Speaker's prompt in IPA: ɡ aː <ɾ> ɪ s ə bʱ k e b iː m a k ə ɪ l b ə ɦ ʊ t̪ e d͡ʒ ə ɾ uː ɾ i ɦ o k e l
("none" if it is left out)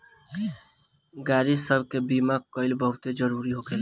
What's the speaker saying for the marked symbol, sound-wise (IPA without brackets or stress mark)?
ɾ